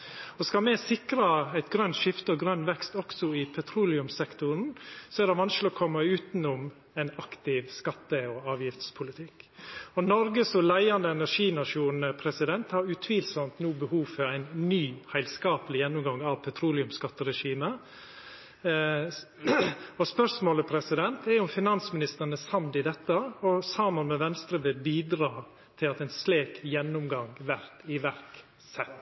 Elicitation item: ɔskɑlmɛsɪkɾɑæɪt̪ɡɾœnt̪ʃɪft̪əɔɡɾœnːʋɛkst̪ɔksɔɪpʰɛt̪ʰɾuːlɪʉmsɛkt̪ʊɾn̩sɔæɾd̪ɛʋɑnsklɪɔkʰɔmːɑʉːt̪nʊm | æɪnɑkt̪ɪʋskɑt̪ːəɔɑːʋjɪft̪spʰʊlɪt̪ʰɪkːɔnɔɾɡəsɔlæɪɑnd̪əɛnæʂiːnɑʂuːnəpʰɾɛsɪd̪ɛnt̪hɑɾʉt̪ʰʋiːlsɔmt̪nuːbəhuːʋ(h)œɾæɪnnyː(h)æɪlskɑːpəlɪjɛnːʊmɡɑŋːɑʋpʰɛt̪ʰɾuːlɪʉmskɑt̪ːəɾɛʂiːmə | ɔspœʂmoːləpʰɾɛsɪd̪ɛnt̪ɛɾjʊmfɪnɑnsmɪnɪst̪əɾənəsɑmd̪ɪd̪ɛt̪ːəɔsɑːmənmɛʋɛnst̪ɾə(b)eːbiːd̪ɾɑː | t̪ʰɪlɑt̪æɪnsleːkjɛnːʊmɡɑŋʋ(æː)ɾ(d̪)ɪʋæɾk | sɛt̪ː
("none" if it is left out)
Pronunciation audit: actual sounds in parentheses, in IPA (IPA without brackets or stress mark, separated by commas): f, h, b, æ, t̪